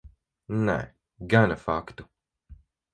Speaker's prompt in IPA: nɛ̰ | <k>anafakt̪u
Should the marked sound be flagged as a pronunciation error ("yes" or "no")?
yes